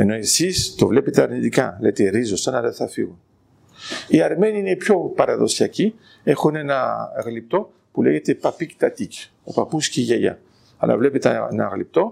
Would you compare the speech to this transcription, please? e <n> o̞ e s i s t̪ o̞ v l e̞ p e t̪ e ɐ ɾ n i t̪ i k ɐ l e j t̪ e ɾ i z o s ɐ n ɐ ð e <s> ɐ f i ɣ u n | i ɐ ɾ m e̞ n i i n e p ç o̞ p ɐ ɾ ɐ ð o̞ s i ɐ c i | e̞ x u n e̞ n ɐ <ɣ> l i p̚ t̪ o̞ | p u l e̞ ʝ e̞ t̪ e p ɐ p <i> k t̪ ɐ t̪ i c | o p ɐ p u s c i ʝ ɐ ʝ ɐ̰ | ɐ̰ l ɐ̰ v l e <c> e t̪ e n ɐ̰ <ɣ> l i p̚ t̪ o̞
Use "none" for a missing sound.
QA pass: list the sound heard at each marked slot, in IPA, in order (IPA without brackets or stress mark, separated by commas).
n, θ, ɣ, i, p, ɣ